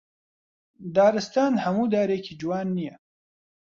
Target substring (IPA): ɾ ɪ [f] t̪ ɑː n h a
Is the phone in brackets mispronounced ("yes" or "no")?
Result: yes